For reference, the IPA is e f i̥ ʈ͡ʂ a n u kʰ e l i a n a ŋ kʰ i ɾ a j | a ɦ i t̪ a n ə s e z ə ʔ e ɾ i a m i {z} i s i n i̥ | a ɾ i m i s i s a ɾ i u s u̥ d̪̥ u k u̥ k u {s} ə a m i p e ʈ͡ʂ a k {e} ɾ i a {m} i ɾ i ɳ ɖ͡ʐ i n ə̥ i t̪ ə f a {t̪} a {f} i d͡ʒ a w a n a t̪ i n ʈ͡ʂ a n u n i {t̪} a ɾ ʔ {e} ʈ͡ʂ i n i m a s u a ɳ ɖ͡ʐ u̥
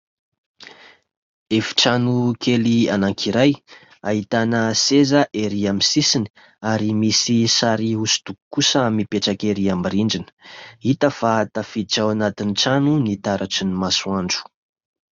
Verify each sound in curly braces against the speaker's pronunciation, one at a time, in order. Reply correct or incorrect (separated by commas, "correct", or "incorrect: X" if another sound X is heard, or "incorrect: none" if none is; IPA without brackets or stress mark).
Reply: incorrect: s, correct, correct, correct, correct, correct, correct, incorrect: a